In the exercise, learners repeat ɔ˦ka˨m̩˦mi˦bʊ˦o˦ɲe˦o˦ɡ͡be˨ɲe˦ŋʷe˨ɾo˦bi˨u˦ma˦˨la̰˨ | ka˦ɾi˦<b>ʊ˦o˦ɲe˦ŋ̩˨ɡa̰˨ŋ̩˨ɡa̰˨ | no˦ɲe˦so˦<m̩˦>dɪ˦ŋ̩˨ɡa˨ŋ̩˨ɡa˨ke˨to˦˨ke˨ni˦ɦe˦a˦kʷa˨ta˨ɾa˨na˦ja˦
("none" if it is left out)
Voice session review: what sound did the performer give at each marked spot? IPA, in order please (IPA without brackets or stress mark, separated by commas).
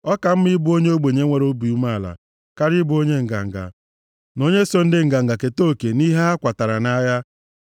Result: b, n̩˦